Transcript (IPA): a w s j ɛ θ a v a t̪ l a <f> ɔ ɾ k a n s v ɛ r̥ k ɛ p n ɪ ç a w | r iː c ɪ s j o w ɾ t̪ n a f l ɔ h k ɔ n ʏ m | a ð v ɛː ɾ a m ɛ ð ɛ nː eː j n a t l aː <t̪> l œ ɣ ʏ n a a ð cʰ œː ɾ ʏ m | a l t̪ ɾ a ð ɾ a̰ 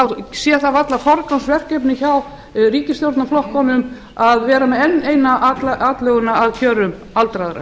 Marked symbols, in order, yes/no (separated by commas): yes, yes